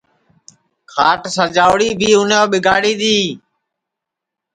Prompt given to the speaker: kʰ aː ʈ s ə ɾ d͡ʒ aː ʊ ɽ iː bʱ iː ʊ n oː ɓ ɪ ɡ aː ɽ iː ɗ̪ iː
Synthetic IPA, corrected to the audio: kʰ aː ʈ s ə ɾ d͡ʒ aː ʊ ɽ iː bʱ iː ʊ n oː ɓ ɪ ɡ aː ɽ iː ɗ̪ iː